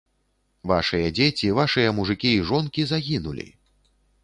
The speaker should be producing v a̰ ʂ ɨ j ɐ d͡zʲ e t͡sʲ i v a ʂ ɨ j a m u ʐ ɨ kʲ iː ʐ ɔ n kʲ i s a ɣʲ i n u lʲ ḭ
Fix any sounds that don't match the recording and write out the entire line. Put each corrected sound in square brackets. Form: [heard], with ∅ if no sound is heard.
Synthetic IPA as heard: v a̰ ʂ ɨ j ɐ d͡zʲ e t͡sʲ i v a ʂ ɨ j [ɐ] m u ʐ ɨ kʲ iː ʐ ɔ n kʲ i [z] a ɣʲ i n u lʲ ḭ